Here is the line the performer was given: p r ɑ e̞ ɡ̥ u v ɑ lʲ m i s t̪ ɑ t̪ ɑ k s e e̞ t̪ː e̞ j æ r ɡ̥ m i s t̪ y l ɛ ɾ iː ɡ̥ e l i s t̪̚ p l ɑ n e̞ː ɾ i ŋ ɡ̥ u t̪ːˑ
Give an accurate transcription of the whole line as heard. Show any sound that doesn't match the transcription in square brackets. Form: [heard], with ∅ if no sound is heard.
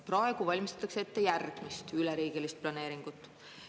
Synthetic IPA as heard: p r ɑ e̞ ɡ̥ u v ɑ lʲ m i s t̪ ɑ t̪ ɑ k s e e̞ t̪ː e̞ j æ r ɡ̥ m i s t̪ y l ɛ ɾ iː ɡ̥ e l i s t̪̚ p l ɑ n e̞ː ɾ i ŋ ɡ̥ u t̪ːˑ